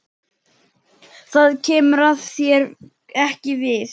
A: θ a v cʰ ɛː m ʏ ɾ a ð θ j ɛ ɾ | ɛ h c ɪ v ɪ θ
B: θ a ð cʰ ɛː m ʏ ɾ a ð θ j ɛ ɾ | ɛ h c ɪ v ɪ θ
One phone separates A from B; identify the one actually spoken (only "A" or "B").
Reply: B